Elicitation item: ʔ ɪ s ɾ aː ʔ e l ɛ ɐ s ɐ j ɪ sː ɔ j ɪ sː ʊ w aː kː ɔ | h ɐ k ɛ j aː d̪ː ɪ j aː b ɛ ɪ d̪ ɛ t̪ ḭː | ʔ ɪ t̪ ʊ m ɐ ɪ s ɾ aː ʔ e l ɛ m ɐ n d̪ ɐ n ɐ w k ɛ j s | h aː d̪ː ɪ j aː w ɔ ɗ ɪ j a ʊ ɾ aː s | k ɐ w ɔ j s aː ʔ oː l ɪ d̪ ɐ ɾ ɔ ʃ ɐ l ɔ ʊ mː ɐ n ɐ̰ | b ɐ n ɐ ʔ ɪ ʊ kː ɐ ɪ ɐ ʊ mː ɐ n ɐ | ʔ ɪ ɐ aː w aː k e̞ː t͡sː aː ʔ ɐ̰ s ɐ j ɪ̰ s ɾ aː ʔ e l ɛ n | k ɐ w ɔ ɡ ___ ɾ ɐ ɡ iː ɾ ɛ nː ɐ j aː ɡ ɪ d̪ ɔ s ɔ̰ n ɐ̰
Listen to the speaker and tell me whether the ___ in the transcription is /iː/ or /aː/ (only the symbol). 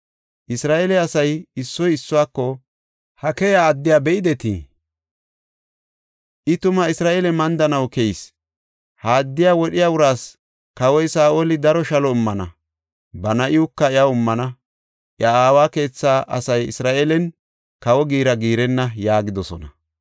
iː